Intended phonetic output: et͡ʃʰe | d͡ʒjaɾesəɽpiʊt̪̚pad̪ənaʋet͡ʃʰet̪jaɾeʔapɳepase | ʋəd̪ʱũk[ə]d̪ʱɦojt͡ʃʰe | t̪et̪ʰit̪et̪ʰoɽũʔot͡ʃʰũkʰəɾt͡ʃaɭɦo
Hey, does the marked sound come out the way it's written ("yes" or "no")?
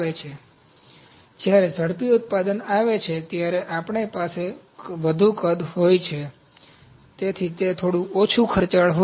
yes